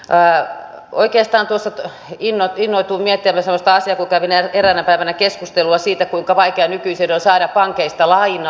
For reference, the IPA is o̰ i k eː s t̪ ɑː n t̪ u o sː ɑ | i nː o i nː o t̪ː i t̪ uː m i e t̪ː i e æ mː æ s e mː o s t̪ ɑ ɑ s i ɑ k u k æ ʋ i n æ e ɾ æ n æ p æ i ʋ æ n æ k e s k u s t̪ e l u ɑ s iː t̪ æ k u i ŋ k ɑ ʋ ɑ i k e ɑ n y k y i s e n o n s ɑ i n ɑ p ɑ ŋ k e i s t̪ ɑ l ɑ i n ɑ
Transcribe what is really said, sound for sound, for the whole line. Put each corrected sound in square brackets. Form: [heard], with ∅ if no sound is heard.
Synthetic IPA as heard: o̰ i k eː s t̪ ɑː n t̪ u o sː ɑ | i nː o i nː o [∅] i t̪ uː m i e t̪ː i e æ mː æ s e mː o s t̪ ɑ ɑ s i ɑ k u k æ ʋ i n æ e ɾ æ n æ p æ i ʋ æ n æ k e s k u s t̪ e l u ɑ s iː t̪ æ k u i ŋ k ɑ ʋ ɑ i k e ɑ n y k y i s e n o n s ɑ i n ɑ p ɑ ŋ k e i s t̪ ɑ l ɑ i n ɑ